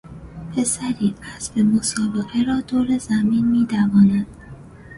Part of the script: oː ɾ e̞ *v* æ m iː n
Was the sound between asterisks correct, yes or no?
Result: no